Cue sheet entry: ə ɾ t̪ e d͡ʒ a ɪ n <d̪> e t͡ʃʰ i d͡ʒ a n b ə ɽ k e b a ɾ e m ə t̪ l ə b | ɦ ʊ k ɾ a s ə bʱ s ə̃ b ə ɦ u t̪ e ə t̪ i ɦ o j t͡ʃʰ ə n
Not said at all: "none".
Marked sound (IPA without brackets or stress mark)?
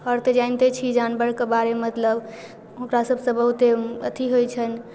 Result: t̪